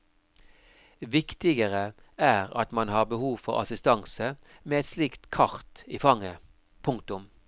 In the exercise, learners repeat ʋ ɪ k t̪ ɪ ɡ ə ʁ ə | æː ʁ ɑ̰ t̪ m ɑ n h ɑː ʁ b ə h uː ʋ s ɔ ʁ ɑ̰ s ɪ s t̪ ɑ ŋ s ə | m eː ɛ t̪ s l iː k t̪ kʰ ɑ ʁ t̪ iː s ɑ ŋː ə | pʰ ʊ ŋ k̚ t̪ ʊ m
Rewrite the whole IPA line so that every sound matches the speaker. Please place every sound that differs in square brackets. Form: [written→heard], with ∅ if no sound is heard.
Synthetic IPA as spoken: ʋ ɪ k t̪ ɪ ɡ ə ʁ ə | æː ʁ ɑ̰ t̪ m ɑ n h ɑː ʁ b ə h uː ʋ [s→f] ɔ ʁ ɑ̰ s ɪ s t̪ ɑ ŋ s ə | m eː ɛ t̪ s l iː k t̪ kʰ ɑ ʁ t̪ iː [s→f] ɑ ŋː ə | pʰ ʊ ŋ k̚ t̪ ʊ m